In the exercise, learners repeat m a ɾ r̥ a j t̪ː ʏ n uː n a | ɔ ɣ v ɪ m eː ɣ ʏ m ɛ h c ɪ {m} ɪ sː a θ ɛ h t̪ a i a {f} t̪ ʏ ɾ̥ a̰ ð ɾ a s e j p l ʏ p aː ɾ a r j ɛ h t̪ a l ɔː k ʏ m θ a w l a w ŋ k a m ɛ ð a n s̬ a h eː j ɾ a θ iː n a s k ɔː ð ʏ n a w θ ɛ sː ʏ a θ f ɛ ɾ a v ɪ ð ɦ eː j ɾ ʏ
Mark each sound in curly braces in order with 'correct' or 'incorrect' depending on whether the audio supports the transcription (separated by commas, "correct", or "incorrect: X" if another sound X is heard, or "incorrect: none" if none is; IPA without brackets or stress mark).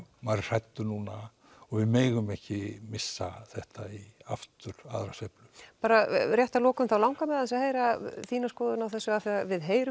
correct, correct